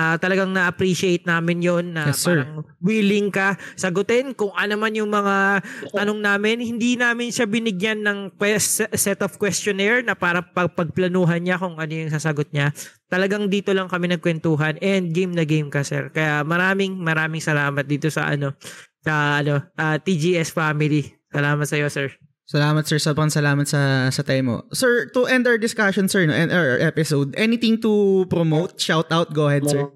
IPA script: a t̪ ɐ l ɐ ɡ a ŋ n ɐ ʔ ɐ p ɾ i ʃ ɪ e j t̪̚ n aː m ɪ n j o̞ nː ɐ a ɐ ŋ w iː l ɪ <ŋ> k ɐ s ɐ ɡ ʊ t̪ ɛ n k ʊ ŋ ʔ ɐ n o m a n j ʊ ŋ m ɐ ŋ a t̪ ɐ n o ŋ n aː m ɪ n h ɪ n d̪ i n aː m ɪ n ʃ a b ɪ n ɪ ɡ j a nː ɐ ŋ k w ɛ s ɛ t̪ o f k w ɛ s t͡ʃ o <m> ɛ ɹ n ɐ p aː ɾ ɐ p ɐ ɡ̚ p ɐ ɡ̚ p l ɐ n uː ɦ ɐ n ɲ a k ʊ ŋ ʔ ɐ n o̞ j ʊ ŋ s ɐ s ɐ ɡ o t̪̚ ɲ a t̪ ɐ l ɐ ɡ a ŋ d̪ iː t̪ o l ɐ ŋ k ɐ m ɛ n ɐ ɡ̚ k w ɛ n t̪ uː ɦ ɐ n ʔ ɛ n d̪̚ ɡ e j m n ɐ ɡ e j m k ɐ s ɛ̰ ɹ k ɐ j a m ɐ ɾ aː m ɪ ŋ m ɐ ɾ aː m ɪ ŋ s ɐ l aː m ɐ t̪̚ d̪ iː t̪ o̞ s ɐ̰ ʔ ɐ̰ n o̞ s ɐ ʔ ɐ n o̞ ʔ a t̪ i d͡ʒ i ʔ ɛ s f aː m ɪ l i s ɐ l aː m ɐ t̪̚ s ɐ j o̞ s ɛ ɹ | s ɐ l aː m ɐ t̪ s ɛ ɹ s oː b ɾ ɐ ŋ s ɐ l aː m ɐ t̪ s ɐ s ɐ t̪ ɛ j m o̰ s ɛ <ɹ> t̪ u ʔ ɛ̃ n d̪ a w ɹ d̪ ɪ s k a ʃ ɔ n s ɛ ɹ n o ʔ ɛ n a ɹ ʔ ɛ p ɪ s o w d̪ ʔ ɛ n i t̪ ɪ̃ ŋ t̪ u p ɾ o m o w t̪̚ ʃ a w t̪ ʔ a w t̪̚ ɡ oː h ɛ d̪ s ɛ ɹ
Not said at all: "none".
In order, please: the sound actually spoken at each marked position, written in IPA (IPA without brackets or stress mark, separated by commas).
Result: ŋ, n, ɹ